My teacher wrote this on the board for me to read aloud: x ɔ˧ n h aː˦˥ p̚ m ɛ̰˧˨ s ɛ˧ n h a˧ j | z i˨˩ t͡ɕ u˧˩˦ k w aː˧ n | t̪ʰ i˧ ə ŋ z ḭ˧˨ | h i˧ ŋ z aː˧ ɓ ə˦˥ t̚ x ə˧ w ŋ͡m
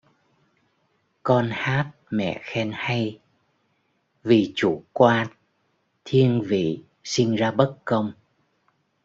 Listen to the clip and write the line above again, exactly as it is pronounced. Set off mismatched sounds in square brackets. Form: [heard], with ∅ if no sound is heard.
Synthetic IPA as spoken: [k] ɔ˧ n h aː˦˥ [t̚] m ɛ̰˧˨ [x] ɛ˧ n h a˧ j | [v] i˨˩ t͡ɕ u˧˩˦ k w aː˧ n | t̪ʰ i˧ ə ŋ [v] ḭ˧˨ | [s] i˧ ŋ z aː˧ ɓ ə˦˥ t̚ [k] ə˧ w ŋ͡m

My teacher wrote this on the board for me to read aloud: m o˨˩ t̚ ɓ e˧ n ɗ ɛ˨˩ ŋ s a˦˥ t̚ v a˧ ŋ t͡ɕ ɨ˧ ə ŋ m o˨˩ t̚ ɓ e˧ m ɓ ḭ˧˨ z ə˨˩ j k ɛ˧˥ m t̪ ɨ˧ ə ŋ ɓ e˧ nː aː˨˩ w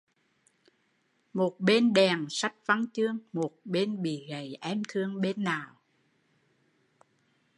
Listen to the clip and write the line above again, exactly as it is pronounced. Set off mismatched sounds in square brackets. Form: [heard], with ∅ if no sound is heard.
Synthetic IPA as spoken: m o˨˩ t̚ ɓ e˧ n ɗ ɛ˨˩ ŋ s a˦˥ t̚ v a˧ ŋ t͡ɕ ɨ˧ ə ŋ m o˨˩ t̚ ɓ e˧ [n] ɓ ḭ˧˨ [ɣ] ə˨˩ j [ʔ] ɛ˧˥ m [t̪ʰ] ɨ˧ ə ŋ ɓ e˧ nː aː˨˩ w

